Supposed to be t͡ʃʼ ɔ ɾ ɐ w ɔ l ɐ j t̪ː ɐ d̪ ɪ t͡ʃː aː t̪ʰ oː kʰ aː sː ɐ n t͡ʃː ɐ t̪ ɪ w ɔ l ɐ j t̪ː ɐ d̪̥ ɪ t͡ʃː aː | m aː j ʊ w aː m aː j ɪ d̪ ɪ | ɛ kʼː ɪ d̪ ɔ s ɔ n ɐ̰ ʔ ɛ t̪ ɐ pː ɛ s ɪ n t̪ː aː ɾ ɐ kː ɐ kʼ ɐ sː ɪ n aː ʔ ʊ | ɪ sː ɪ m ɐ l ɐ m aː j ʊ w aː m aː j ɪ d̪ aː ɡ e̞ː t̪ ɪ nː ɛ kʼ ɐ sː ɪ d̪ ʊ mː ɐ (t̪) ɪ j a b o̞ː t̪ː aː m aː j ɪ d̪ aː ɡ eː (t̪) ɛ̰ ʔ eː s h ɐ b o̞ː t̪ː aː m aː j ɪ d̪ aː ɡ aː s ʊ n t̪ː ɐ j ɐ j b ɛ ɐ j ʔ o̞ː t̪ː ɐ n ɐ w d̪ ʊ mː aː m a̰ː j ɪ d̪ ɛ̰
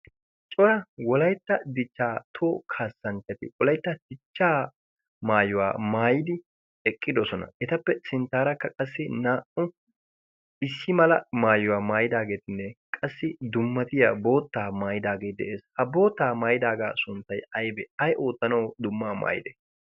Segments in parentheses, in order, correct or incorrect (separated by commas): correct, incorrect